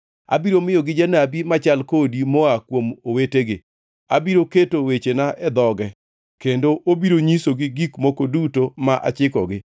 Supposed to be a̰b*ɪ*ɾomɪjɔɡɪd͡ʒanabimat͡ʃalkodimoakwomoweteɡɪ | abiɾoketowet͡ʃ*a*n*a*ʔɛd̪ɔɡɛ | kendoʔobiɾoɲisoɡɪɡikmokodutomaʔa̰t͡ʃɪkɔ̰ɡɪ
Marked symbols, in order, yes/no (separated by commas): no, no, yes